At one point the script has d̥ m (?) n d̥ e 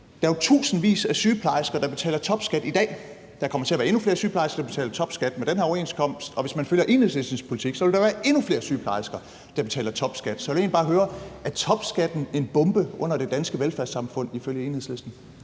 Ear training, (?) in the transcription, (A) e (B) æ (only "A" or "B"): A